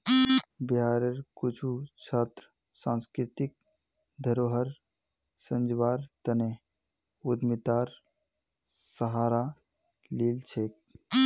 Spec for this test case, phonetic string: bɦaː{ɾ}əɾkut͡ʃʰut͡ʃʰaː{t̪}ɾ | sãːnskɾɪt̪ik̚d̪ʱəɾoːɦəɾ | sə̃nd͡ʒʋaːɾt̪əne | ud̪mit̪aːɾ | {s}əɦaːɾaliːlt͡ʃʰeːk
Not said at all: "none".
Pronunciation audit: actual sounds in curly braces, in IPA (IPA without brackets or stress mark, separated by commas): ɾ, t̪, s